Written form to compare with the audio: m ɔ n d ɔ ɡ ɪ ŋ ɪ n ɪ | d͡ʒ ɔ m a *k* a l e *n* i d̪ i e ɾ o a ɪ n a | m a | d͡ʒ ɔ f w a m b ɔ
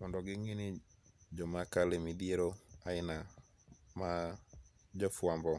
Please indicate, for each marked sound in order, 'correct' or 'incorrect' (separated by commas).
correct, incorrect